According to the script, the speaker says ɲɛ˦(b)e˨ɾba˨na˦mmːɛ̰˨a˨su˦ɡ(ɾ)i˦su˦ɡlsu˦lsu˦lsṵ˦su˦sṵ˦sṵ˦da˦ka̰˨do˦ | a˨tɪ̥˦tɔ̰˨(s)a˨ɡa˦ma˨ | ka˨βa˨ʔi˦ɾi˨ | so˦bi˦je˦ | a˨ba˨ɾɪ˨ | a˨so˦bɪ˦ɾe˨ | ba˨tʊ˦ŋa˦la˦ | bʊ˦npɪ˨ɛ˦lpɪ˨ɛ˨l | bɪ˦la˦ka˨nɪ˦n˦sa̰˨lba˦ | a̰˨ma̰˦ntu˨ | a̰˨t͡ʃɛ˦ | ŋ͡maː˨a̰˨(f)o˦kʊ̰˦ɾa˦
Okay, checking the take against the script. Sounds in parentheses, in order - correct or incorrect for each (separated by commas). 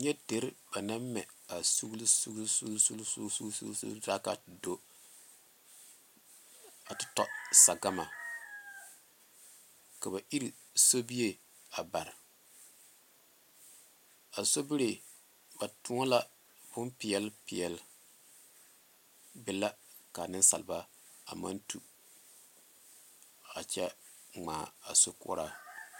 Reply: incorrect, incorrect, correct, incorrect